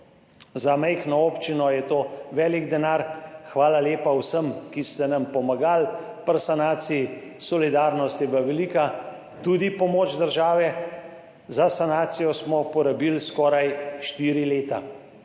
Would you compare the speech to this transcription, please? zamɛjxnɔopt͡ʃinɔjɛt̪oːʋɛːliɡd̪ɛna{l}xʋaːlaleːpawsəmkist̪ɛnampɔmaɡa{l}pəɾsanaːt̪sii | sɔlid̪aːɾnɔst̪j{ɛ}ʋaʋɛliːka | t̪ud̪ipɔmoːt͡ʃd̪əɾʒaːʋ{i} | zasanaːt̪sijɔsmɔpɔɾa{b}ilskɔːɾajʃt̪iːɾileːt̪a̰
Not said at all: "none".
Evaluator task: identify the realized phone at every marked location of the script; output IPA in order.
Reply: ɾ, l, ɛ, ɛ, b

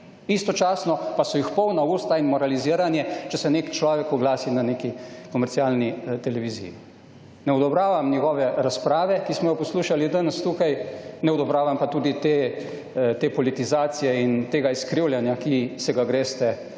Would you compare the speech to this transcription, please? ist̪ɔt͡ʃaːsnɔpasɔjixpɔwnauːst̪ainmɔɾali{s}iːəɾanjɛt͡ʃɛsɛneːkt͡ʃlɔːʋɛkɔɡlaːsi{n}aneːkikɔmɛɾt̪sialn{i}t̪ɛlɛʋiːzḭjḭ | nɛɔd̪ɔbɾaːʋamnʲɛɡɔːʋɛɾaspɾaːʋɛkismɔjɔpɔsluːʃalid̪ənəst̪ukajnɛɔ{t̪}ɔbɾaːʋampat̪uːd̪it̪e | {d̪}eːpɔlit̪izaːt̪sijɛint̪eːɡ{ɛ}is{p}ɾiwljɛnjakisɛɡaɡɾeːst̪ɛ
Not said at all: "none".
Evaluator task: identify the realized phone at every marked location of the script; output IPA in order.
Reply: z, n, i, d̪, t̪, a, k

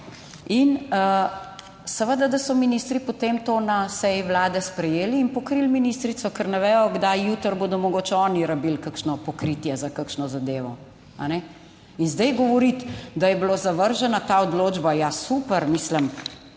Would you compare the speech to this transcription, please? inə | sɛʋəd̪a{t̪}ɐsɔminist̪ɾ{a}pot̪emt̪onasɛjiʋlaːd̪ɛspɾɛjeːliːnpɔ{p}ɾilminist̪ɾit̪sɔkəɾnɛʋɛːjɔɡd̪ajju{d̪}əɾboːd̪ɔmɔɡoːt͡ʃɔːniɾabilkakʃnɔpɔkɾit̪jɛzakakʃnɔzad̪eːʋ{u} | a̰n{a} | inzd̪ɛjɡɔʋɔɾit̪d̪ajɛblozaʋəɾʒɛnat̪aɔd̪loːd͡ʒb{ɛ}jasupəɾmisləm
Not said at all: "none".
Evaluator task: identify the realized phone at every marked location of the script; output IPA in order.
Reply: d̪, i, k, t̪, ɔ, ɛ, a

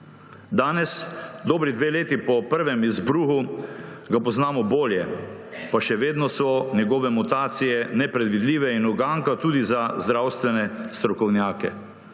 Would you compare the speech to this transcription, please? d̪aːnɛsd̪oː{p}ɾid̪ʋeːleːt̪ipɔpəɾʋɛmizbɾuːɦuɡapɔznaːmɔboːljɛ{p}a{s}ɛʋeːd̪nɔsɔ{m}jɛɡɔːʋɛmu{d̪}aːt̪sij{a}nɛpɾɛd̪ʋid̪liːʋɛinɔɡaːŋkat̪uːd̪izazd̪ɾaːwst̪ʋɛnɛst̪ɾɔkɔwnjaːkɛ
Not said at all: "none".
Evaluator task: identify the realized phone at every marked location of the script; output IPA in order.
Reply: b, p, ʃ, n, t̪, ɛ

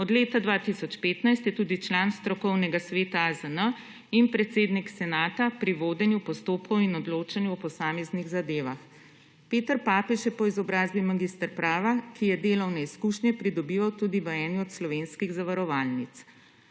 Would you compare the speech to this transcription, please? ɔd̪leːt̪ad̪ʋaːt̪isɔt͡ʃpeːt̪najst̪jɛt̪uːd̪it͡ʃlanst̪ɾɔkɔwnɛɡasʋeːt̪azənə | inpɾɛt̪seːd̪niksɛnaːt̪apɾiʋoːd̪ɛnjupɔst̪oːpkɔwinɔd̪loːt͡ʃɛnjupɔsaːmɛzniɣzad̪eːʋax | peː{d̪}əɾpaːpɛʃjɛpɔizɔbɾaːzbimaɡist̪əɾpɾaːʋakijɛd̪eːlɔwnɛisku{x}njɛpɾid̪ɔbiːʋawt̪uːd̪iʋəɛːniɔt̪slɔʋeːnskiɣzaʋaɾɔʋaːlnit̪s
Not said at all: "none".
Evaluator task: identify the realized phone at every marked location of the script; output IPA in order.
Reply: t̪, ʃ

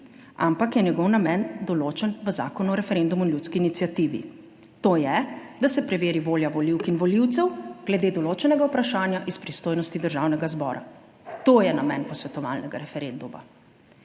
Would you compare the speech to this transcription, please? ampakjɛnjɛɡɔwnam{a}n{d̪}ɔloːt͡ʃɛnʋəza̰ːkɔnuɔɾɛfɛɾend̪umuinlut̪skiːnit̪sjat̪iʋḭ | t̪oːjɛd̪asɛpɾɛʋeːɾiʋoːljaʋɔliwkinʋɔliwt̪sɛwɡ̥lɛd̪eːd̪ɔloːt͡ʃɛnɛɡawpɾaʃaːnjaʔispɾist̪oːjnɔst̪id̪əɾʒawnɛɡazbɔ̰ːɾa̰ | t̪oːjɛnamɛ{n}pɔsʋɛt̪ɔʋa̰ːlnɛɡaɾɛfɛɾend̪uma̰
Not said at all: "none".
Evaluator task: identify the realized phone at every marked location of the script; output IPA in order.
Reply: ɛ, d̪, n

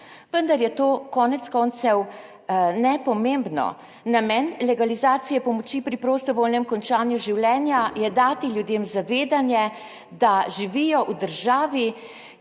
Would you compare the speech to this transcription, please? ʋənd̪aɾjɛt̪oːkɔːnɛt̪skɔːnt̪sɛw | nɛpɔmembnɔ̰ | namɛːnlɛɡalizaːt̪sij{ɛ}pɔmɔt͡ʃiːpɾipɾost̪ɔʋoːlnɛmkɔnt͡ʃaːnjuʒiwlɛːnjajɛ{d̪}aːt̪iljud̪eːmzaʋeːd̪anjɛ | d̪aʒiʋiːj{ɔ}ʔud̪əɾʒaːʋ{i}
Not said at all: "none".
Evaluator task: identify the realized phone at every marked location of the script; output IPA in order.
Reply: ɛ, d̪, ɔ, i

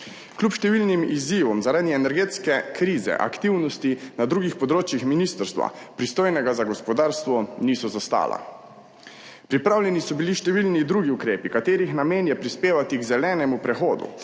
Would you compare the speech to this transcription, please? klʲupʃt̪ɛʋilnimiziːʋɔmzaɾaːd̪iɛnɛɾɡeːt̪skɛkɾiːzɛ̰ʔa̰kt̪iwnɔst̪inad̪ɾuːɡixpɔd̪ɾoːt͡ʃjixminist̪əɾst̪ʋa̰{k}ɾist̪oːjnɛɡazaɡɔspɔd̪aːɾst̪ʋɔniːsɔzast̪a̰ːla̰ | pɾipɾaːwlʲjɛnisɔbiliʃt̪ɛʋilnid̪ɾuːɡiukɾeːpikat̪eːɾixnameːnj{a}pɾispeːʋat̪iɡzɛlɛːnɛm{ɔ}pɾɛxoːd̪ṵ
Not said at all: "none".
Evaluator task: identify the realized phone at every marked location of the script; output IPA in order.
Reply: p, ɛ, u

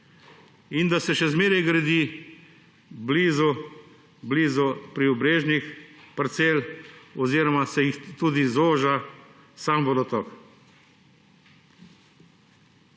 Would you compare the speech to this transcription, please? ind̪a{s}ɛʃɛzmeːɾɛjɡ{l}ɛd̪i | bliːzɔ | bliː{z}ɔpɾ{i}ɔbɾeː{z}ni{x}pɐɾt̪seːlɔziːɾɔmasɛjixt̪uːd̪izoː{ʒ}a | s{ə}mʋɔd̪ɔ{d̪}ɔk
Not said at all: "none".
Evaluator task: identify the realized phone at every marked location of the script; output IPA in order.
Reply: s, ɾ, z, i, ʒ, x, ʒ, a, t̪

